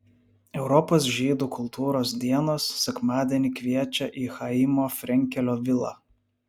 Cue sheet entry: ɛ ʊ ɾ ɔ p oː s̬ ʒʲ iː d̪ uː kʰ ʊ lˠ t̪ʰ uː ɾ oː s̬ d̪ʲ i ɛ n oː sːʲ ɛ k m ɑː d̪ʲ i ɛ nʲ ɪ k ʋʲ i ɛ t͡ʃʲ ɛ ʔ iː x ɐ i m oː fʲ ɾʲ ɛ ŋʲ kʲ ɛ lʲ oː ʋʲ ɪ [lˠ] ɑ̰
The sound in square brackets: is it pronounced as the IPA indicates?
yes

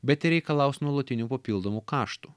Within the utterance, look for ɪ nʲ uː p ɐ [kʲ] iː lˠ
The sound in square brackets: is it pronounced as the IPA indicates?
no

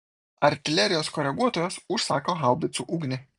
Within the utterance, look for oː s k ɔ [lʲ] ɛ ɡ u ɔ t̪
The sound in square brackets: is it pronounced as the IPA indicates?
no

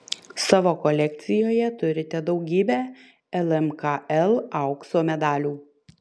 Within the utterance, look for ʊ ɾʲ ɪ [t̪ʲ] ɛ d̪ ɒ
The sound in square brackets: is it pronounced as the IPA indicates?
yes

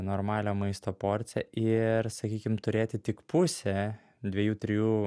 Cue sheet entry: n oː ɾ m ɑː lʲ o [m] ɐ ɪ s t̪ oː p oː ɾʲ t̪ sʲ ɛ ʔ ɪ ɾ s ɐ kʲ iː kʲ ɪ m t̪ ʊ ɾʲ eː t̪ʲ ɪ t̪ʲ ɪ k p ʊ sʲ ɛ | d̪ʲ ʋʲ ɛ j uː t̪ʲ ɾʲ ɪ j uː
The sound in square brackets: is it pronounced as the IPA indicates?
yes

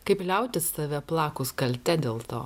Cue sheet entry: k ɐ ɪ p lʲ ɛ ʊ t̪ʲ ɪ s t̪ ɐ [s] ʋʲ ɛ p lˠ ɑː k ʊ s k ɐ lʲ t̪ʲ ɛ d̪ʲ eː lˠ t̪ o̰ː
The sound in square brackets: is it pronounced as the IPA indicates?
no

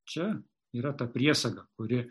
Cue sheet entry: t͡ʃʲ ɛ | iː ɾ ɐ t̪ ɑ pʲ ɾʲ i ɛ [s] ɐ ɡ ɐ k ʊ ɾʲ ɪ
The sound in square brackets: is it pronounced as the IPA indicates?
yes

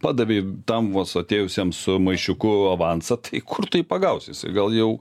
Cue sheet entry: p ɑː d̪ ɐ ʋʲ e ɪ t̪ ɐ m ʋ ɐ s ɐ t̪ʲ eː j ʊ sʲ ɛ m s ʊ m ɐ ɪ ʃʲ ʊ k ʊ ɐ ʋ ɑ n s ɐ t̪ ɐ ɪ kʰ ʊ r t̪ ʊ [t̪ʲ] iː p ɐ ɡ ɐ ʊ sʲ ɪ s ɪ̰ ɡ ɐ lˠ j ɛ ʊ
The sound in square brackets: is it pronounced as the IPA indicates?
no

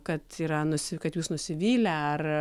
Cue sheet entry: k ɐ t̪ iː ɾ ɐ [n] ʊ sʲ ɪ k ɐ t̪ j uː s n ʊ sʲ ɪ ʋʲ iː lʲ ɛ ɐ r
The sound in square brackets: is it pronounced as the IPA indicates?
yes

